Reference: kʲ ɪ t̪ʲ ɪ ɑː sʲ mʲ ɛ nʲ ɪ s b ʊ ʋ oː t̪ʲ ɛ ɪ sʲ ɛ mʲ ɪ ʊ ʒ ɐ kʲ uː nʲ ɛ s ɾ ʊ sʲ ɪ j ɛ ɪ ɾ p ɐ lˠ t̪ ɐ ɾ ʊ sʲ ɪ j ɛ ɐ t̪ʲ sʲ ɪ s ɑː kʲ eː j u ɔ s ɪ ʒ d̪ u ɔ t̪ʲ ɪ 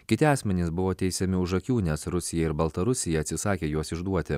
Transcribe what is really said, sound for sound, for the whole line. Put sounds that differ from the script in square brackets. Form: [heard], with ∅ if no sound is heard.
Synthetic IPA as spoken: kʲ ɪ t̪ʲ ɪ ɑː sʲ mʲ ɛ nʲ ɪ s b ʊ ʋ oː t̪ʲ ɛ ɪ sʲ ɛ mʲ ɪ ʊ ʒ ɐ kʲ uː nʲ ɛ s ɾ ʊ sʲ ɪ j ɛ ɪ ɾ [b] ɐ lˠ t̪ ɐ ɾ ʊ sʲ ɪ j ɛ ɐ t̪ʲ sʲ ɪ s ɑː kʲ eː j u ɔ s ɪ ʒ d̪ u ɔ t̪ʲ ɪ